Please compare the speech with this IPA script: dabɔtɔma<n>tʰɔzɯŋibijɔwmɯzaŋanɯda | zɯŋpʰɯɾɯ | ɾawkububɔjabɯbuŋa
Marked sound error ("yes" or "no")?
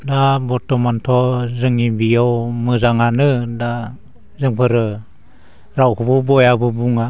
no